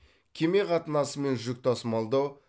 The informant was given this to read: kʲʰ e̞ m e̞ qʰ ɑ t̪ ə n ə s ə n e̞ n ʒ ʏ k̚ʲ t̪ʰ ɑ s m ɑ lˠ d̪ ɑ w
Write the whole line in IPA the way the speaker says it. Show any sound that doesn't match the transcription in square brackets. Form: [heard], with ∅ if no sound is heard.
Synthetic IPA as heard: kʲʰ e̞ m e̞ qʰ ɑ t̪ ə n [ɑ] s ə [m] e̞ n ʒ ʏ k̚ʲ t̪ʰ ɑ s m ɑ lˠ d̪ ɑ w